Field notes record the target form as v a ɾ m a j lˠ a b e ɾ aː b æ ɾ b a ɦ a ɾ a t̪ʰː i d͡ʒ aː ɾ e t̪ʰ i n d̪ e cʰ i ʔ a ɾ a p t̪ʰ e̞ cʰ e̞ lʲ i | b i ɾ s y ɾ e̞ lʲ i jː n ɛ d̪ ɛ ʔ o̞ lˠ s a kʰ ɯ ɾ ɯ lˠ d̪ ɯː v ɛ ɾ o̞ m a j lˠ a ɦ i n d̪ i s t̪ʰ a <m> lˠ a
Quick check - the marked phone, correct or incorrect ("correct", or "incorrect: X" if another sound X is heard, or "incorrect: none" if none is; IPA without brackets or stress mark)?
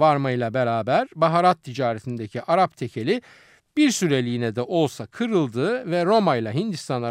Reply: incorrect: n